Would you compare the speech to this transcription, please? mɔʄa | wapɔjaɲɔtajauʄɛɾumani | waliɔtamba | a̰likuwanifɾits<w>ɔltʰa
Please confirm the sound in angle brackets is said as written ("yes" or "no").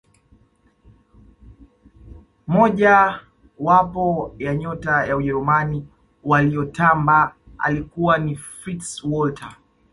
yes